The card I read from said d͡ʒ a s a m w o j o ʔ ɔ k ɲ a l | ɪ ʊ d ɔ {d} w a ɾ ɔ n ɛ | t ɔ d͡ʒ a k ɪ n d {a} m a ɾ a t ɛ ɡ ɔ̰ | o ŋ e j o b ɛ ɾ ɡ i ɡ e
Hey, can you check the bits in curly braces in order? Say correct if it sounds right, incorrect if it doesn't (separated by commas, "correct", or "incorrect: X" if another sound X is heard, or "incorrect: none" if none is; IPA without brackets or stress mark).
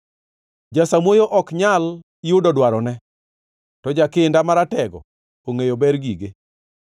correct, correct